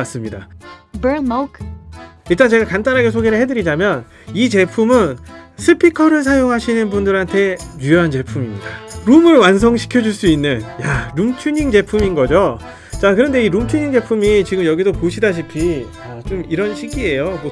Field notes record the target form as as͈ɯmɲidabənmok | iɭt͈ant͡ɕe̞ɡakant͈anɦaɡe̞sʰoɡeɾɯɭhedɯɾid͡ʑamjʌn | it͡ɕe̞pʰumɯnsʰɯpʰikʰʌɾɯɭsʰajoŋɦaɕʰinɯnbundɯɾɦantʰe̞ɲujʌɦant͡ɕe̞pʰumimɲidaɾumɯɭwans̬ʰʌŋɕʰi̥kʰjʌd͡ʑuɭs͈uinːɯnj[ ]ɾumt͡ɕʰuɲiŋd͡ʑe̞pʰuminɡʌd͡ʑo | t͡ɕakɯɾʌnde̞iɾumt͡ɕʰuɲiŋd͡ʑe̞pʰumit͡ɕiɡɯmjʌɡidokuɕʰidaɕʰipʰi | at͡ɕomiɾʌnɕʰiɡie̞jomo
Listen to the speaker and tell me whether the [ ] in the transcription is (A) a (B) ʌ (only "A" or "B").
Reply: A